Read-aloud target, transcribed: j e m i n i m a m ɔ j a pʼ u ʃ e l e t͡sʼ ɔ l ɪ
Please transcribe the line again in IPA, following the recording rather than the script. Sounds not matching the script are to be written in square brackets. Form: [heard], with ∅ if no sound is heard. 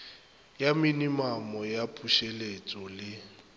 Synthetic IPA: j [a] m i n i m a m ɔ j a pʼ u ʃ e l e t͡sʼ ɔ l ɪ

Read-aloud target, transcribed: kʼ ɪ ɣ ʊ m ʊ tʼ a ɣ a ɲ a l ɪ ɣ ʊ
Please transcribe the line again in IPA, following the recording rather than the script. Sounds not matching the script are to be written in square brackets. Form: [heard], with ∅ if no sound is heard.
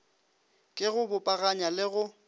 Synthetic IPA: kʼ ɪ ɣ ʊ [b] ʊ [pʼ] a ɣ a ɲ a l ɪ ɣ ʊ

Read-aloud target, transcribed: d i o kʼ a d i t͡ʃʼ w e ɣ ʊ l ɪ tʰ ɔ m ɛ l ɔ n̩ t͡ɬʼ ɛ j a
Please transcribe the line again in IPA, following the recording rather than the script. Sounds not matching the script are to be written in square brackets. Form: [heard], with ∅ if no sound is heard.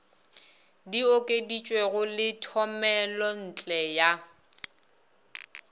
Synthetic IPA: d i o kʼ [e] d i t͡ʃʼ w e ɣ ʊ l ɪ tʰ ɔ m ɛ l ɔ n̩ t͡ɬʼ ɛ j a

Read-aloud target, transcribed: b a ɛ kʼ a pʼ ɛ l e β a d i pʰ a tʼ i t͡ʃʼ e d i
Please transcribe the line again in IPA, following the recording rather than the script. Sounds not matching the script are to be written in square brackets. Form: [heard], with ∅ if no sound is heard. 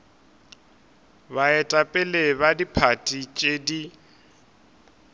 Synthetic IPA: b a ɛ [tʼ] a pʼ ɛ l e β a d i pʰ a tʼ i t͡ʃʼ e d i

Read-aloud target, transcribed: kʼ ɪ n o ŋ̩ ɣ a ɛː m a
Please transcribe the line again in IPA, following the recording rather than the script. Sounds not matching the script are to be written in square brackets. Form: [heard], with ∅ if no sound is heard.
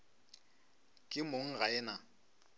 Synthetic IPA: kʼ ɪ [m] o ŋ̩ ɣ a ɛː [n] a

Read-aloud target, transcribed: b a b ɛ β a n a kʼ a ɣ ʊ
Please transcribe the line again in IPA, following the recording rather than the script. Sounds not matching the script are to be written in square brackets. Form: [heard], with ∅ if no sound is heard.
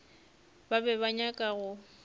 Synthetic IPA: b a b ɛ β a [ɲ] a kʼ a ɣ ʊ

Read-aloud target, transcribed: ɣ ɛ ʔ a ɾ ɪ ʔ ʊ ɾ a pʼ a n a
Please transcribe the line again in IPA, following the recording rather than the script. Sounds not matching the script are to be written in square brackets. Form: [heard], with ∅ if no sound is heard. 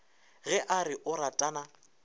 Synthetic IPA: ɣ ɛ ʔ a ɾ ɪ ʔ ʊ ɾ a [tʼ] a n a

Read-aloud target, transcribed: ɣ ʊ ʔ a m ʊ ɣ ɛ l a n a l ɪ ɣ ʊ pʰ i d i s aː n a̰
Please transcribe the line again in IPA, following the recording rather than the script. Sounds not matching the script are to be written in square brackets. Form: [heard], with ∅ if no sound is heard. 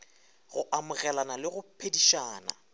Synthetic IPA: ɣ ʊ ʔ a m ʊ ɣ ɛ l a n a l ɪ ɣ ʊ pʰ [e] d i [ʃ] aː n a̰

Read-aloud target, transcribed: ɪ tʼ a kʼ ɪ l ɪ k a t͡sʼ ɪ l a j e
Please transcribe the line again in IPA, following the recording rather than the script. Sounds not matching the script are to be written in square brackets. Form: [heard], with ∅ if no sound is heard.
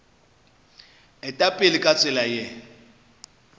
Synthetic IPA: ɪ tʼ a [pʼ] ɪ l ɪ [kʼ] a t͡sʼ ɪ l a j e

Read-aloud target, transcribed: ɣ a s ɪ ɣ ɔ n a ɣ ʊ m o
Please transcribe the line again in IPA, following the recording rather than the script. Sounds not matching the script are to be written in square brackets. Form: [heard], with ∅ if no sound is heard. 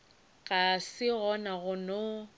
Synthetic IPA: ɣ a s ɪ ɣ ɔ n a ɣ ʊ [n] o

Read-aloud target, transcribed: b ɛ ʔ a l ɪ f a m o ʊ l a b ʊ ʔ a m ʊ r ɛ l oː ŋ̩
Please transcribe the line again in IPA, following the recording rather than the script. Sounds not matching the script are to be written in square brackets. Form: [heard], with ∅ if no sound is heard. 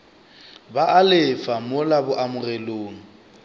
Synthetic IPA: b [a] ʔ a l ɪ f a m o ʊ l a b ʊ ʔ a m ʊ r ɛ l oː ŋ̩

